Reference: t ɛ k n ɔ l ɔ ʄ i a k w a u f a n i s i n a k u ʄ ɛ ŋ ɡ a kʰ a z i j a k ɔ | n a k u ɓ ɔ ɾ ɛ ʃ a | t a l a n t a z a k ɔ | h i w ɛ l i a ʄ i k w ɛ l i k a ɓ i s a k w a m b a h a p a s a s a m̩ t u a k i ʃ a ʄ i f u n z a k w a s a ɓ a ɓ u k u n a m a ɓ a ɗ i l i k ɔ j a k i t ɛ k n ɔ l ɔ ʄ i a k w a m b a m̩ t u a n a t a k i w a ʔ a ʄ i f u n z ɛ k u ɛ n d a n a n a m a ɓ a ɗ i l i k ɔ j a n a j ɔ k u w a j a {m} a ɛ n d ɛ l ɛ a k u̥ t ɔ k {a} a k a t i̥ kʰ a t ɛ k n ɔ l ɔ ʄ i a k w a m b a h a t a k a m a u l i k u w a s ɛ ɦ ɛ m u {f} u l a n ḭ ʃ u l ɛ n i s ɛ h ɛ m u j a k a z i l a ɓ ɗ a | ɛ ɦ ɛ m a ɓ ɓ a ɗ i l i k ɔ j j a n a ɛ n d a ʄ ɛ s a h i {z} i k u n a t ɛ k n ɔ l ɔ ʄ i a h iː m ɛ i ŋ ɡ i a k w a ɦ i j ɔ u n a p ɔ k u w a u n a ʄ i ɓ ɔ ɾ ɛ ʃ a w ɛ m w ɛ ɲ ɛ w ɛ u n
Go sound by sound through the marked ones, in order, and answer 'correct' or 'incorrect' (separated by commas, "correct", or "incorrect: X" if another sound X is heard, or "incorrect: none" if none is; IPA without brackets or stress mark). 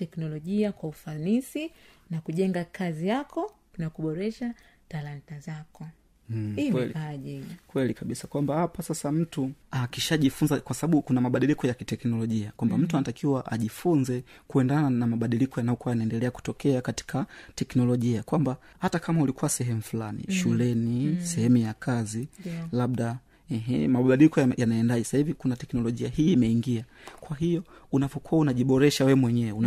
incorrect: n, incorrect: ɛ, correct, incorrect: v